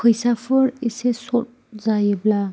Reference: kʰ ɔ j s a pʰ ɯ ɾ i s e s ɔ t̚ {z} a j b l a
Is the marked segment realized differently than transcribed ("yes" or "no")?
no